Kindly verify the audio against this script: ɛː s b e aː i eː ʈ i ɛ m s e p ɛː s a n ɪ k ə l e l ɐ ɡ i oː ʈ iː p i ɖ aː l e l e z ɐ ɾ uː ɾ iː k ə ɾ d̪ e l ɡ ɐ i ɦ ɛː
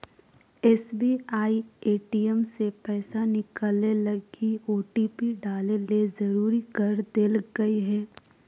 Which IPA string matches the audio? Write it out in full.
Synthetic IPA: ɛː s b i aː i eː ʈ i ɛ m s e p ɛː s a n ɪ k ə l e l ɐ ɡ i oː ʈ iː p i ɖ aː l e l e z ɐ ɾ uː ɾ i k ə ɾ d̪ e l ɡ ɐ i ɦ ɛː